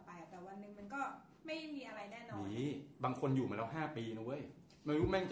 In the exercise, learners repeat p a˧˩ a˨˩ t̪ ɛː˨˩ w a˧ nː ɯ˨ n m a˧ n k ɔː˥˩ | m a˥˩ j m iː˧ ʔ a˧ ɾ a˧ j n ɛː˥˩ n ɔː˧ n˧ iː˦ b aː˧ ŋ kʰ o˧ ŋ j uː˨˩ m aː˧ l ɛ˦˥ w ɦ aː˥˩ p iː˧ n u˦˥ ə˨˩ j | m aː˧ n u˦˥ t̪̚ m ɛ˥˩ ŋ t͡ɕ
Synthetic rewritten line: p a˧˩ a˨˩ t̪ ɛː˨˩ w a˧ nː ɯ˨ ŋ m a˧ n k ɔː˥˩ | m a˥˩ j m iː˧ ʔ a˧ ɾ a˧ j n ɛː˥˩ n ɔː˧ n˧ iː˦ b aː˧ ŋ kʰ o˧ n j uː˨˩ m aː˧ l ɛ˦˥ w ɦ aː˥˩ p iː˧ n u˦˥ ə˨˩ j | m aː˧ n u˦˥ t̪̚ m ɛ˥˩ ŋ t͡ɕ